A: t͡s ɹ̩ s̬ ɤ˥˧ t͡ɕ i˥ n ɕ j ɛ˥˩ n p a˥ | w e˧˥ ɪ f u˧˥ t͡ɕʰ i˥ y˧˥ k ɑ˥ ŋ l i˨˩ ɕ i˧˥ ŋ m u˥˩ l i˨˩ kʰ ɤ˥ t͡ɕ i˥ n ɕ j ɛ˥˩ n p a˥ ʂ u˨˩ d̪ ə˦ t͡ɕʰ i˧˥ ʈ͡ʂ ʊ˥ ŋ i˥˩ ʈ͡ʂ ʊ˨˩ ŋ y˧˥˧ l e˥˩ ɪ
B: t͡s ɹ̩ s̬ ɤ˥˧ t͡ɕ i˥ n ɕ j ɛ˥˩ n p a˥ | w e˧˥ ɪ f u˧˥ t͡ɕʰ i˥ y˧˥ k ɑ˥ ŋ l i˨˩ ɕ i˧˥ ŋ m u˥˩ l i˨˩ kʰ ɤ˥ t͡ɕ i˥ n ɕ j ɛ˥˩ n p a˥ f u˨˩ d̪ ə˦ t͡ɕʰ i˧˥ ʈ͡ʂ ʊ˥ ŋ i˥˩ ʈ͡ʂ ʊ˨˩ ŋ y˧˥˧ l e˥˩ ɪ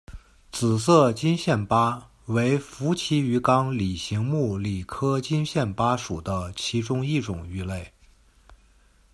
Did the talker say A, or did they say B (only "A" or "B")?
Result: A